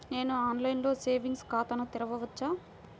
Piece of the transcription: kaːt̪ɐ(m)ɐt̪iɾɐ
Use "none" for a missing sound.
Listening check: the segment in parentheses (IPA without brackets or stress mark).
n